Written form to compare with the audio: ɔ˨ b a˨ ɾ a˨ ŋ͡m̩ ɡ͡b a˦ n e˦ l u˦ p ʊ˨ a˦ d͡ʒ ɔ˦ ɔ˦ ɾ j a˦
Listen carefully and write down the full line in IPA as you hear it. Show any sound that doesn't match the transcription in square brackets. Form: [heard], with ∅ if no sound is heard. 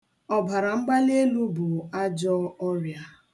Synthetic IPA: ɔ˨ b a˨ ɾ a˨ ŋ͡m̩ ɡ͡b a˦ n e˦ l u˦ [b] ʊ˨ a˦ d͡ʒ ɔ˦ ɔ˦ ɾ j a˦